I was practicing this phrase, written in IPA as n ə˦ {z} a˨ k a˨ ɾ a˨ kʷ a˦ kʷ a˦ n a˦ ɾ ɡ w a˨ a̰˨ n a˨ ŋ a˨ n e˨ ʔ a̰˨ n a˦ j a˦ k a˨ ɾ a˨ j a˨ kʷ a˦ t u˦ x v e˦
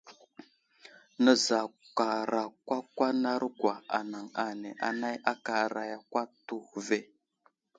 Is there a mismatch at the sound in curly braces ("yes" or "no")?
no